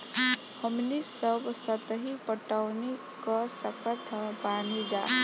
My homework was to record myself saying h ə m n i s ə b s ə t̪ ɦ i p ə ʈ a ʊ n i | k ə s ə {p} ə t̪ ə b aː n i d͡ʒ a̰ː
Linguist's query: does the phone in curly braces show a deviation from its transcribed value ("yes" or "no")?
yes